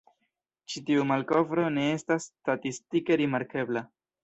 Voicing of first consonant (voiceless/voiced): voiceless